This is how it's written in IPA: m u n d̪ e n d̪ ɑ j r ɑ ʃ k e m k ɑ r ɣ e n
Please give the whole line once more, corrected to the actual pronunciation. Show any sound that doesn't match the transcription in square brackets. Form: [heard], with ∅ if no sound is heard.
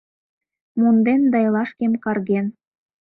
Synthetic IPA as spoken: m u n d̪ e n d̪ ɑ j [l] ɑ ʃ k e m k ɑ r ɣ e n